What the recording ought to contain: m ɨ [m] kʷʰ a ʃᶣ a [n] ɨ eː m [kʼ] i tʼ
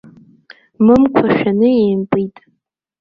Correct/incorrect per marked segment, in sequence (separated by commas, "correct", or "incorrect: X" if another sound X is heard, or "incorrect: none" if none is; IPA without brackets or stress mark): correct, correct, incorrect: pʼ